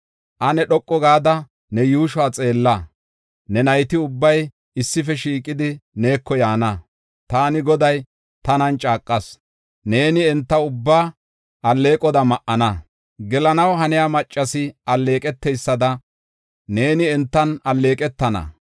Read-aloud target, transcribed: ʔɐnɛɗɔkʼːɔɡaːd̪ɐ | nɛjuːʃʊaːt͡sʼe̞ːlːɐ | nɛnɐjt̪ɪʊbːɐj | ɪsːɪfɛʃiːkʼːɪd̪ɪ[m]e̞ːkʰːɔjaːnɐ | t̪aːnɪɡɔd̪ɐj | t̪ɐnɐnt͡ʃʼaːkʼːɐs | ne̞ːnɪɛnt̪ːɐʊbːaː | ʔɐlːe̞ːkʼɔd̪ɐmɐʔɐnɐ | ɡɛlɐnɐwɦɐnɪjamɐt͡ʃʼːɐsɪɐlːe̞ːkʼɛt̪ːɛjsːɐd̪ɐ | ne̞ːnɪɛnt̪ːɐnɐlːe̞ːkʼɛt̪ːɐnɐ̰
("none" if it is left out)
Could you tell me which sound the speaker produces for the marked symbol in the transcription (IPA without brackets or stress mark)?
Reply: n